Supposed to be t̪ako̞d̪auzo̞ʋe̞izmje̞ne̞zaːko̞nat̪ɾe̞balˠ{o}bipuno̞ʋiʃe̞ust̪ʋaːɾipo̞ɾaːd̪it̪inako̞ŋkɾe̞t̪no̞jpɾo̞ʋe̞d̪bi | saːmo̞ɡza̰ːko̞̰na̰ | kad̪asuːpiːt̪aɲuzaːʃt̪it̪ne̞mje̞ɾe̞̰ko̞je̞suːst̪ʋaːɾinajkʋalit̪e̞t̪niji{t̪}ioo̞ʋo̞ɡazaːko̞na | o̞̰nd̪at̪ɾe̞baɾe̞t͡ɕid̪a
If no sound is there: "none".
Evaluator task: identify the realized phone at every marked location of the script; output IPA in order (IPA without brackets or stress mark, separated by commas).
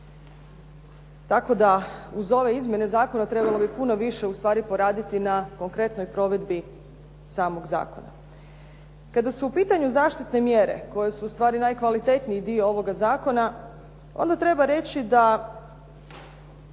o, d̪